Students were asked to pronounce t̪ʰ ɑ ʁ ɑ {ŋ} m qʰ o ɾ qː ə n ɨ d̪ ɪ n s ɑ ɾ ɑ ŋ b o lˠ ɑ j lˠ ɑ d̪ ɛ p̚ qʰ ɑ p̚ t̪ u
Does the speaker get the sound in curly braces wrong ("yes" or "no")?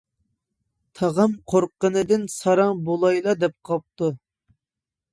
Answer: yes